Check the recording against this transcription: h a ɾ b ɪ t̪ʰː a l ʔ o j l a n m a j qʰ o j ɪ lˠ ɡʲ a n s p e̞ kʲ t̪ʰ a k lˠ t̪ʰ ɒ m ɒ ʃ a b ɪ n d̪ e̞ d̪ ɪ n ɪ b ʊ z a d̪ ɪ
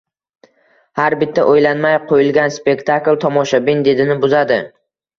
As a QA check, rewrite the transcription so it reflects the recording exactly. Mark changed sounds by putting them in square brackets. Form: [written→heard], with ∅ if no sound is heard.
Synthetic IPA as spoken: h a ɾ b ɪ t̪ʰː a [l→∅] ʔ o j l a n m a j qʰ o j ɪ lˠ ɡʲ a n s p e̞ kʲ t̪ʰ a k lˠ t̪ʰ ɒ m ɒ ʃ a b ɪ n d̪ e̞ d̪ ɪ n ɪ b ʊ z a d̪ ɪ

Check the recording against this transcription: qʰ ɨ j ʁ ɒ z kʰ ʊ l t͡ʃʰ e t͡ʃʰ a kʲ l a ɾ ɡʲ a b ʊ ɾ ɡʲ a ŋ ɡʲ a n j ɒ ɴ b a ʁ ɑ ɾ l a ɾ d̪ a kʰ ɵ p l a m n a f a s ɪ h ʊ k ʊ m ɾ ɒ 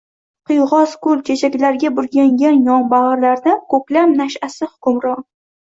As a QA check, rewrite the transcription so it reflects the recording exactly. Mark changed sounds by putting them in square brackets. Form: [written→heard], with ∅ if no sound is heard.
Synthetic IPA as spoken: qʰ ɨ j ʁ ɒ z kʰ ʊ l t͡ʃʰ e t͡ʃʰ a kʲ l a ɾ ɡʲ a b ʊ ɾ ɡʲ a ŋ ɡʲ a n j ɒ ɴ b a ʁ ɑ ɾ l a ɾ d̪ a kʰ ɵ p l a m n a [f→ʃ] a s ɪ h ʊ k ʊ m ɾ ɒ

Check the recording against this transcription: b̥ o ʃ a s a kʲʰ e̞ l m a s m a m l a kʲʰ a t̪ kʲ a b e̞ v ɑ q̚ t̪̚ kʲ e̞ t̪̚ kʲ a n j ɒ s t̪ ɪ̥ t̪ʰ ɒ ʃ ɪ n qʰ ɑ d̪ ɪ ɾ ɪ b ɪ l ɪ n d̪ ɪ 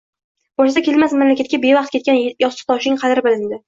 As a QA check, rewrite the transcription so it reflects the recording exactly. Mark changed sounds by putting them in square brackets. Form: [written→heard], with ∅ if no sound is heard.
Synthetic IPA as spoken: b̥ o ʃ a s a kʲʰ e̞ l m a s m a m l a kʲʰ a t̪ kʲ a b e̞ v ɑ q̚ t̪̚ kʲ e̞ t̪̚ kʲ a n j ɒ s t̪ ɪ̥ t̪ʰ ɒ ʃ ɪ [n→ŋ] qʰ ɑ d̪ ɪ ɾ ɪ b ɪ l ɪ n d̪ ɪ

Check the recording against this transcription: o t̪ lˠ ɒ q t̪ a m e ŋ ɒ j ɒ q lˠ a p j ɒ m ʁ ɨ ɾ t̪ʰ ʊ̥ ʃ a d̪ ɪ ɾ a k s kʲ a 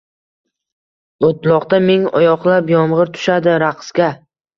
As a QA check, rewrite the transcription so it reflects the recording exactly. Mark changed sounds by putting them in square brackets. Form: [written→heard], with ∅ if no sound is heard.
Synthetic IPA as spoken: o t̪ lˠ ɒ q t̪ a m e ŋ ɒ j ɒ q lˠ a p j ɒ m ʁ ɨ ɾ t̪ʰ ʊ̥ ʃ a d̪ ɪ ɾ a [k→q] s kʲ a

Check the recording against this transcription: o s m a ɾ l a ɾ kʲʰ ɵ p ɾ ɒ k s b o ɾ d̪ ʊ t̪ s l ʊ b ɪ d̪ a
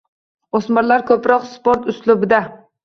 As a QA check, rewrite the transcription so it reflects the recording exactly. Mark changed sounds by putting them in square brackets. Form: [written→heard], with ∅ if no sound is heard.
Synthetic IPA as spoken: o s m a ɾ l a ɾ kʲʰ ɵ p ɾ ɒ [k→q] s [b→p] o ɾ [d̪→t̪] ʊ [t̪→∅] s l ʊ b ɪ d̪ a

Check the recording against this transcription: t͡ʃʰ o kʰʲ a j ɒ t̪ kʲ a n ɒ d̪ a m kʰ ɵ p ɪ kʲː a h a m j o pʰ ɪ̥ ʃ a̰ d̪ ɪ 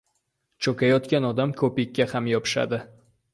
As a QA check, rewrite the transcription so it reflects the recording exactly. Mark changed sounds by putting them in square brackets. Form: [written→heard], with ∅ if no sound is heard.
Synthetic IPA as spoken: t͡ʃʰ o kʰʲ a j ɒ t̪ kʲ a n ɒ d̪ a m kʰ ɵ p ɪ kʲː a h a m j [o→ɒ] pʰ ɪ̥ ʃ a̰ d̪ ɪ

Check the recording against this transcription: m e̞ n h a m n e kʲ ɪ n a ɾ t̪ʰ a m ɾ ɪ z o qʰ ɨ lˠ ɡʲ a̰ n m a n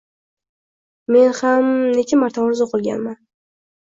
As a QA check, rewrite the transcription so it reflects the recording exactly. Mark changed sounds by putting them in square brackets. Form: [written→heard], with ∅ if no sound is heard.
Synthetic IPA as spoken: m e̞ n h a m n e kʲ ɪ [n→m] a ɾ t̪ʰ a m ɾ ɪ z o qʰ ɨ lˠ ɡʲ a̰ n m a n

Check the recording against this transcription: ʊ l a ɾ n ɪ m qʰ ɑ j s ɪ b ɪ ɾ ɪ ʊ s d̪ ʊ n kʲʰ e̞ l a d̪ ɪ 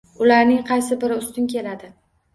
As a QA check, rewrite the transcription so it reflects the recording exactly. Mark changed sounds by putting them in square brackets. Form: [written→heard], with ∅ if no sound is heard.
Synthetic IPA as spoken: ʊ l a ɾ n ɪ [m→ŋ] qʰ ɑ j s ɪ b ɪ ɾ ɪ ʊ s [d̪→t̪] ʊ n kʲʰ e̞ l a d̪ ɪ

